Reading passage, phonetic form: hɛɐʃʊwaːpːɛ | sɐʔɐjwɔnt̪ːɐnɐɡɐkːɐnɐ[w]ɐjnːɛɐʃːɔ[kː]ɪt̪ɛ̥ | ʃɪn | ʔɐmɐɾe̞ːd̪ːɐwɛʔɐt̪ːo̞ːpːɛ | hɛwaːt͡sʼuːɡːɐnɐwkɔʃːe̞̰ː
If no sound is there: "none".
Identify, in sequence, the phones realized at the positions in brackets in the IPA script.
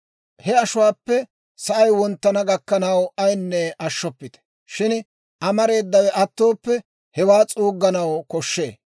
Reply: w, pː

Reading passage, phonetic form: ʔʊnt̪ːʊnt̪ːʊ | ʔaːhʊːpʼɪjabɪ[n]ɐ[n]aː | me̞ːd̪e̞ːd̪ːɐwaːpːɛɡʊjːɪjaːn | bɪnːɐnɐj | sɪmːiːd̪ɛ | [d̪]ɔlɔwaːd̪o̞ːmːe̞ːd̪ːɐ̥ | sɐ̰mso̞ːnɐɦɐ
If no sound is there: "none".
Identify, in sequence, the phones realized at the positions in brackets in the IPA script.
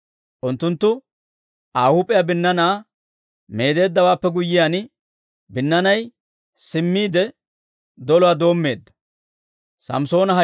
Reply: nː, n, d̪

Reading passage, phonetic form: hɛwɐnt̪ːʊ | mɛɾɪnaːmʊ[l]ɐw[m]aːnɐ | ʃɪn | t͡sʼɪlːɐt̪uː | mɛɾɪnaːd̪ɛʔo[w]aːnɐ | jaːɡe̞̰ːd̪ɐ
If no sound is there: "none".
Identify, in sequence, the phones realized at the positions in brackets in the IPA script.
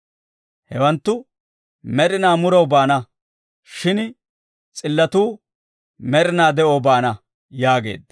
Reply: ɾ, b, b

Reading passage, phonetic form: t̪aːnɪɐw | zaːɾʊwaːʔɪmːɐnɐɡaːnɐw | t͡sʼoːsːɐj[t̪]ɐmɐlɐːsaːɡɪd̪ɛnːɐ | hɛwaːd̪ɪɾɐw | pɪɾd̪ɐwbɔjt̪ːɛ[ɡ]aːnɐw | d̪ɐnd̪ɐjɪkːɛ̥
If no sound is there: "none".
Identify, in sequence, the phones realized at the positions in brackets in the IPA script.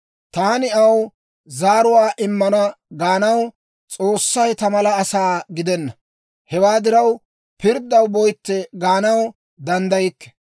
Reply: t̪, ɡ

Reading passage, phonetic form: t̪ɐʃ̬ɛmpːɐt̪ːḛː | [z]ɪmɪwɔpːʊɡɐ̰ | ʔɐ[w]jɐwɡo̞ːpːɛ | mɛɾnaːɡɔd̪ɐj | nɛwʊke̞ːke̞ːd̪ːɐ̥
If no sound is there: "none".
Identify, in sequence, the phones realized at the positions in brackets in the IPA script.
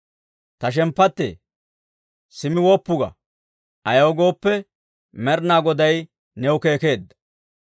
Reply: s, none

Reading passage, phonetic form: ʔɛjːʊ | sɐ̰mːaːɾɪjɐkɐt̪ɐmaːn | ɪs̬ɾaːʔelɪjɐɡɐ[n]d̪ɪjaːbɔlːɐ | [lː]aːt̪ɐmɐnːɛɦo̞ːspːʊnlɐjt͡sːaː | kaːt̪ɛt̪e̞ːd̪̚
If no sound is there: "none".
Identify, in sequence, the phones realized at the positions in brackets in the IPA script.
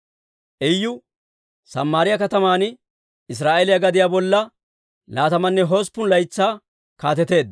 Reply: none, l

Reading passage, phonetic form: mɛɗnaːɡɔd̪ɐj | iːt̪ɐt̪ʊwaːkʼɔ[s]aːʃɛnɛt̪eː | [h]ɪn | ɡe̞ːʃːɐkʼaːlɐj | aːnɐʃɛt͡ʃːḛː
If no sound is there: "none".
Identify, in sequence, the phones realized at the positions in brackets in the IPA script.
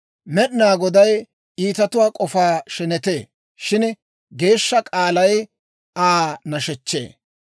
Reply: f, ʃ

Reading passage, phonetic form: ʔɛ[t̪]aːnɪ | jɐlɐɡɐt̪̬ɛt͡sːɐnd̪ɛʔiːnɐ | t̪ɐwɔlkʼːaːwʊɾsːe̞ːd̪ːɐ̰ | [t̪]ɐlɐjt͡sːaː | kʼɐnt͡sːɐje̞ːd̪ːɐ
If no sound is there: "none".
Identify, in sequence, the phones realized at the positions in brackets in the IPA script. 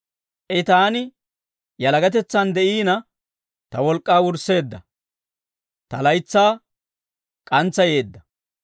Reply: t̪, t̪

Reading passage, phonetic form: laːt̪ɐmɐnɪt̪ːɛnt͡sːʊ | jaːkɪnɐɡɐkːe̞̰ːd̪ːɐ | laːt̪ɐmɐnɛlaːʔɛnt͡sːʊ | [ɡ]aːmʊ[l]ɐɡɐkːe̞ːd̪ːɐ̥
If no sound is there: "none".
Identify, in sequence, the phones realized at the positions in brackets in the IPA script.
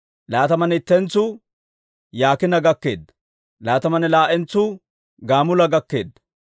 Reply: ɡ, l

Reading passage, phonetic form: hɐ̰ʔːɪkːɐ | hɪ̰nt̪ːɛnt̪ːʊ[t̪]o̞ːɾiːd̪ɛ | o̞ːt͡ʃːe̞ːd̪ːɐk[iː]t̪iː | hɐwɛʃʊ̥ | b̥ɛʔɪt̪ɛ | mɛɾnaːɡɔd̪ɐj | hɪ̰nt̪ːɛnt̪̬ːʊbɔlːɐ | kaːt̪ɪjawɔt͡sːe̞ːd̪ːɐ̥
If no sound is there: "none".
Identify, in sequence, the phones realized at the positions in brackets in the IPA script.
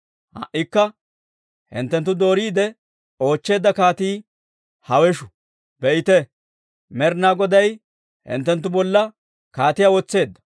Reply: d̪, aː

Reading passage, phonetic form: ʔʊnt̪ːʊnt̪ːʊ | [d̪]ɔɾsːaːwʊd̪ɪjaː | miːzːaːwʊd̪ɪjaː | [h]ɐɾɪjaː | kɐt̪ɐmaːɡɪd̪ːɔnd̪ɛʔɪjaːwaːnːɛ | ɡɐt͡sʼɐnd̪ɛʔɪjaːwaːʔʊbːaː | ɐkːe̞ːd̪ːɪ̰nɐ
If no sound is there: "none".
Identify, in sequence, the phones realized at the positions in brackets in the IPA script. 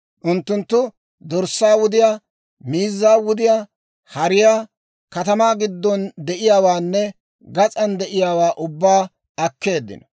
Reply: d̪, h

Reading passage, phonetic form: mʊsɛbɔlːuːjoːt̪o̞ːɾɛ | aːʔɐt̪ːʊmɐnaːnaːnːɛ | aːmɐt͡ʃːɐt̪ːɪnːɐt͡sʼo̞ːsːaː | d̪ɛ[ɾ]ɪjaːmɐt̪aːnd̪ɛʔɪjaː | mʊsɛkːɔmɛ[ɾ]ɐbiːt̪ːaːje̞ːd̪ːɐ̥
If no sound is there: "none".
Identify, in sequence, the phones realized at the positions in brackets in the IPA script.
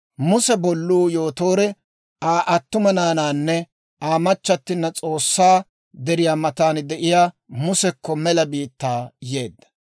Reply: ɾ, l

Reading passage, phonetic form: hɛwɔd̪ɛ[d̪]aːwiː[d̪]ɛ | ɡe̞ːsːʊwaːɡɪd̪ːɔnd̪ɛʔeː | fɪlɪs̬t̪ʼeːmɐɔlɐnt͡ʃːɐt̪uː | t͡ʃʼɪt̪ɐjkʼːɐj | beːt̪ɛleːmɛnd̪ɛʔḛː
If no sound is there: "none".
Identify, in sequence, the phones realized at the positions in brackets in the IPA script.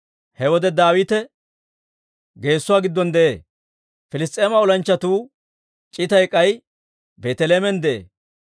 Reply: d̪, t̪

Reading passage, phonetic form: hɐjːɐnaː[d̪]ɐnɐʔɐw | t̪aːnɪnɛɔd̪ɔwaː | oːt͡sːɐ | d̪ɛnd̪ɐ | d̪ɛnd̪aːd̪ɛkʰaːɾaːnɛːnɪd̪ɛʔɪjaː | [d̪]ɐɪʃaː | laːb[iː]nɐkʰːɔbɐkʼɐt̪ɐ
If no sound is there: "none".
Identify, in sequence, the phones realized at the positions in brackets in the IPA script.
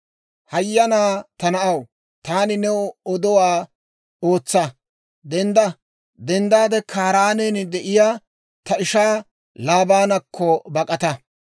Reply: t̪, t̪, aː

